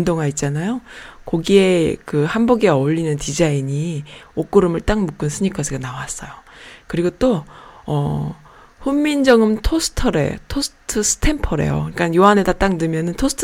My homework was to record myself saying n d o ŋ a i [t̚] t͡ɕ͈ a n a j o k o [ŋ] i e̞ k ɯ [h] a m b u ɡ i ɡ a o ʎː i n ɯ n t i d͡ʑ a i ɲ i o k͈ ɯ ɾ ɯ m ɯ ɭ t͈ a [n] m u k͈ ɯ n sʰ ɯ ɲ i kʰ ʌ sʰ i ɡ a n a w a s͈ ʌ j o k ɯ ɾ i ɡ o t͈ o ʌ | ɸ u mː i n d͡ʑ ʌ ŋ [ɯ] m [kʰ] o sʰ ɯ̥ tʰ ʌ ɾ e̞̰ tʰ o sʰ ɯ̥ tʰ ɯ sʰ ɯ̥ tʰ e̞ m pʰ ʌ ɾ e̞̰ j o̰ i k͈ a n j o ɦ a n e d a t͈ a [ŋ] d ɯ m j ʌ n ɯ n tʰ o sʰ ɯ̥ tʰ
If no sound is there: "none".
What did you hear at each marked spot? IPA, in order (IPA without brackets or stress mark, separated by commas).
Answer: t̚, ɡ, h, ŋ, ɯ, tʰ, ŋ